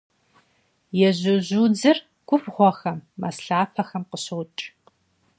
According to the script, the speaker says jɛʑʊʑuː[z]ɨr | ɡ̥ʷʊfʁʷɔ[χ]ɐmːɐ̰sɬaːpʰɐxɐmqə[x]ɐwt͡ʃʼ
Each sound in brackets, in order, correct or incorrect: incorrect: d͡z, incorrect: x, incorrect: ɕ

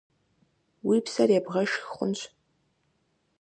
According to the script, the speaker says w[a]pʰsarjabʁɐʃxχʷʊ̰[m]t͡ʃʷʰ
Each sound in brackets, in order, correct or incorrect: incorrect: i, incorrect: n

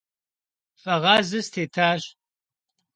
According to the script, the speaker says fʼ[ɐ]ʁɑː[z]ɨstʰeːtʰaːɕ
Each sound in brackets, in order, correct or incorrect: correct, correct

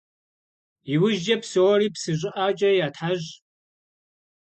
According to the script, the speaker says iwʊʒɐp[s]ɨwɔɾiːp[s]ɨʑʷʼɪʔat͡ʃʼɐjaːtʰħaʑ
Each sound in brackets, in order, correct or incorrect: correct, correct

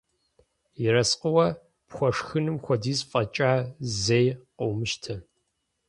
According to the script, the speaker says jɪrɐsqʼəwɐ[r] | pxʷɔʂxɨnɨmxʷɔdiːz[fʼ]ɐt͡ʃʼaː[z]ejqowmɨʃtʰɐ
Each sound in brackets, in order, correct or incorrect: incorrect: none, correct, correct

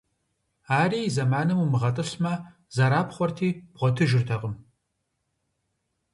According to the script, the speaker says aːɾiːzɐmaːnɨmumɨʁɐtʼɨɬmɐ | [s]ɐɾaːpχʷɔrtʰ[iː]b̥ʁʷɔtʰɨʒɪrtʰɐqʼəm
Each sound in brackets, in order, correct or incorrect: incorrect: z, correct

